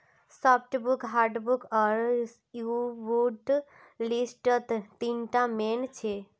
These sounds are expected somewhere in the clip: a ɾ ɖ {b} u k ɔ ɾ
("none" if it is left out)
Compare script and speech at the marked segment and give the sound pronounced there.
b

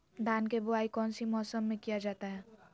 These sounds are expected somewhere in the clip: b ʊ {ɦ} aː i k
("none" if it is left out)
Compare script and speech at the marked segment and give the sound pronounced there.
none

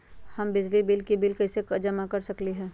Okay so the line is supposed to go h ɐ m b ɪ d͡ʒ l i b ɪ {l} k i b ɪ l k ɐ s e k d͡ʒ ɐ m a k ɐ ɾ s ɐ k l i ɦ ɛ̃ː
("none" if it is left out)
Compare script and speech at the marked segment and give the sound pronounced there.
l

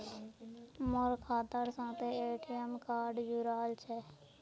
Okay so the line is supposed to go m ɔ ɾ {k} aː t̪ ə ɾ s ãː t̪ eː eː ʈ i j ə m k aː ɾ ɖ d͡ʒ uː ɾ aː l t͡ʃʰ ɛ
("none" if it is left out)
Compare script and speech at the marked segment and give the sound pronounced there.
kʰ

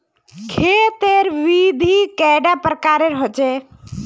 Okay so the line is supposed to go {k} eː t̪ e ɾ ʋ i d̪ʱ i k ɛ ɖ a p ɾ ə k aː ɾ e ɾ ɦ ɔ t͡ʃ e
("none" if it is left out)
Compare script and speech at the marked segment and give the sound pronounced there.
kʰ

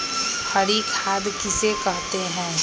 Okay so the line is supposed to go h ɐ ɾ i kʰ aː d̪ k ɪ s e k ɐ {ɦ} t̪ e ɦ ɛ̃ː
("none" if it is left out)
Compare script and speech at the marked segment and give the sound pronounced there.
ɦ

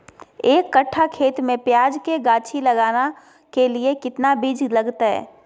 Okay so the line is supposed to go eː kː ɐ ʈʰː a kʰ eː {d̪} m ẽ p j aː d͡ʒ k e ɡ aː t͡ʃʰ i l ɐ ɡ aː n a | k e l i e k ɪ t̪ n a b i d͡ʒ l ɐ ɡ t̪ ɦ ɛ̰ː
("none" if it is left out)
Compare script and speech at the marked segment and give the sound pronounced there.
t̪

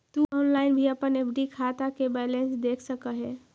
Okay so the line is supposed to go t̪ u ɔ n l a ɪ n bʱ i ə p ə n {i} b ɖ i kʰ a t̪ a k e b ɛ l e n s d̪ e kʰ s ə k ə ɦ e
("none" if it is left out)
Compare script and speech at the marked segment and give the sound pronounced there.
e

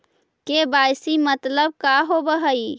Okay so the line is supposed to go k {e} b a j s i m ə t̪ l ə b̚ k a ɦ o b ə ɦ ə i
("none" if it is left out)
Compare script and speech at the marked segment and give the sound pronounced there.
e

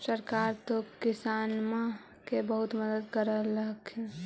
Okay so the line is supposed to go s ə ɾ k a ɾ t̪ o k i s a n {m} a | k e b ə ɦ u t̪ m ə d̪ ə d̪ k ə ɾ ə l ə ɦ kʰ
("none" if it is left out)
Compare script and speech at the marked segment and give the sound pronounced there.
m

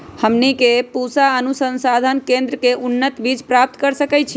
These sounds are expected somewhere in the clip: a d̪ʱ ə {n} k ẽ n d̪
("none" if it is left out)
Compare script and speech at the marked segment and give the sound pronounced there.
n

